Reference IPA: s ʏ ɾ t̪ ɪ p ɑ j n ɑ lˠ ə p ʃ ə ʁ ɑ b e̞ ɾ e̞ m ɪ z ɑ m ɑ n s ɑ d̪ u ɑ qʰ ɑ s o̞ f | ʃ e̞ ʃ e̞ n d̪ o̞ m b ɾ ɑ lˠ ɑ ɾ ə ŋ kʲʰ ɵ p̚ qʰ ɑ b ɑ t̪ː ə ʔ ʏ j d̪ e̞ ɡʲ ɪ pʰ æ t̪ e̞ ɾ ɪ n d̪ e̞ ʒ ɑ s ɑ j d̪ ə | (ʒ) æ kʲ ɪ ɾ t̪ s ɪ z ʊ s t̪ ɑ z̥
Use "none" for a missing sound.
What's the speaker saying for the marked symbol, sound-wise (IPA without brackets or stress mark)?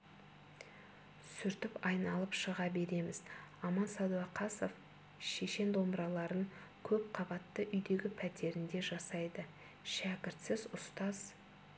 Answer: ʃ